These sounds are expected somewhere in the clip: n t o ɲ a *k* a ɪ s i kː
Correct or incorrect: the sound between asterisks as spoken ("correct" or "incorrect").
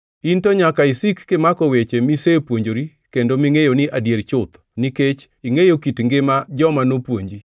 correct